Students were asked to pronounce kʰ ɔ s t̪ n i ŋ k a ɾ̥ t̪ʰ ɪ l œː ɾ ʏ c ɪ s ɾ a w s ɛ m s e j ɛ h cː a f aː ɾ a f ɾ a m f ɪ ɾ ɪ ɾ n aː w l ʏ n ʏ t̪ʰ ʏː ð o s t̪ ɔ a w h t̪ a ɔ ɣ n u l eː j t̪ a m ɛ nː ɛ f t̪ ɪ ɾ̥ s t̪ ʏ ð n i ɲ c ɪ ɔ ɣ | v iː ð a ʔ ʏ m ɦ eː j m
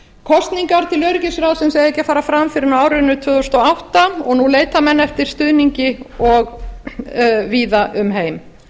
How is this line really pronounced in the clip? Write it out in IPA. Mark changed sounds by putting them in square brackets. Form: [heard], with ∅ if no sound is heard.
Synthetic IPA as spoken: kʰ ɔ s t̪ n i ŋ k a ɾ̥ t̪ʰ ɪ l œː ɾ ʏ c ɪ s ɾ a w s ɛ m s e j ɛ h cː a f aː ɾ a f ɾ a m f ɪ ɾ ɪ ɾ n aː w [ɾ] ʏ n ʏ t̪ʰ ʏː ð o s t̪ ɔ a w h t̪ a ɔ ɣ n u l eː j t̪ a m ɛ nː ɛ f t̪ ɪ ɾ̥ s t̪ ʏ ð n i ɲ c ɪ ɔ ɣ | v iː ð a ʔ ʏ m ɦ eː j m